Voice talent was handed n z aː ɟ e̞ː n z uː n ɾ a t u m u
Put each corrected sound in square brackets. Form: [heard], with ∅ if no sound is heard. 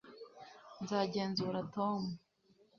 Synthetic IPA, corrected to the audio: n z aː ɟ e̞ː n z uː [∅] ɾ a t [o] m u